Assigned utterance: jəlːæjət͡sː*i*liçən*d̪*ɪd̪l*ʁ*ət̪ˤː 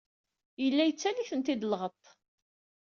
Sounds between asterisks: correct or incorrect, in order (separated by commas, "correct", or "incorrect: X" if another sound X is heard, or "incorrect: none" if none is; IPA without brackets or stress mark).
incorrect: æ, incorrect: t̪, correct